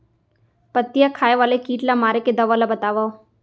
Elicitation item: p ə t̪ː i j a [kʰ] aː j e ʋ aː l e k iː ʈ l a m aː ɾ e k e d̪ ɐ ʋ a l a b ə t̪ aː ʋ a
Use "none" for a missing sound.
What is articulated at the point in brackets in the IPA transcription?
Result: kʰ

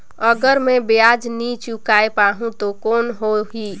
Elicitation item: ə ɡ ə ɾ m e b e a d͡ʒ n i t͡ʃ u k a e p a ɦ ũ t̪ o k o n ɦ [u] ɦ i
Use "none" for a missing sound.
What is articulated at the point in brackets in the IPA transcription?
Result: o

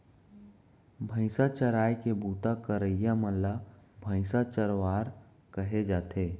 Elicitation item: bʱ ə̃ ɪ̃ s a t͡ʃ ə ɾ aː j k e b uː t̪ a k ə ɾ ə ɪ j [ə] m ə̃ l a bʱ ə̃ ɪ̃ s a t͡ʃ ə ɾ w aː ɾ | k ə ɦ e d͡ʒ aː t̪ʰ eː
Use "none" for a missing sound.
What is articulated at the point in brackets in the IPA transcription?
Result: a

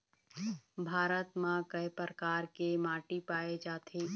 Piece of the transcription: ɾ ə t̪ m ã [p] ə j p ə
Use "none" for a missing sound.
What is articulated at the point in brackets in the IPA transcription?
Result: k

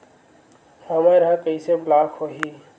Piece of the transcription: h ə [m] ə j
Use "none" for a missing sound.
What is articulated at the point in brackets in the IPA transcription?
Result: m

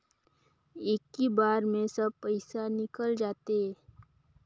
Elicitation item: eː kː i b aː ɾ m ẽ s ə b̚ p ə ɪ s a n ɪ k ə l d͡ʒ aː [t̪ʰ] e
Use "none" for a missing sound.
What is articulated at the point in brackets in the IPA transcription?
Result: t̪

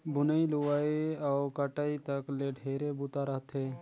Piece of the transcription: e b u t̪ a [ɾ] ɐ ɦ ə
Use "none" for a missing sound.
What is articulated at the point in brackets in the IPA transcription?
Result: ɾ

